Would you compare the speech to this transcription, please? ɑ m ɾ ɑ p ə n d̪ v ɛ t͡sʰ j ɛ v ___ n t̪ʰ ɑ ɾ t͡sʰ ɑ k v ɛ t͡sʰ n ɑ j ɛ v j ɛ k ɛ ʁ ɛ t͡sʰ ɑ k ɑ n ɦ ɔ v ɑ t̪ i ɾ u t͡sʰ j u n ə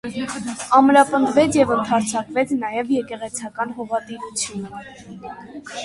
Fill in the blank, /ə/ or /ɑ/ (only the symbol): ə